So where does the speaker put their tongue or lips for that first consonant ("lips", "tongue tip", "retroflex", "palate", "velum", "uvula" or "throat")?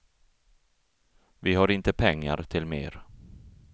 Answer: lips